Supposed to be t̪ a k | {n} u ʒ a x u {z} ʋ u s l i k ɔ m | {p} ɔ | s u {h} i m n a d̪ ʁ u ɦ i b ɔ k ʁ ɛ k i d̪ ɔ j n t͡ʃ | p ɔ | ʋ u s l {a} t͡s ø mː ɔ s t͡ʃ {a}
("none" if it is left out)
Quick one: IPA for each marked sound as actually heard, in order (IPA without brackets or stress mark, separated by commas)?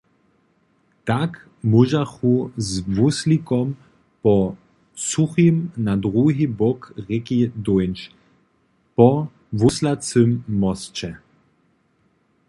m, z, p, x, a, ɛ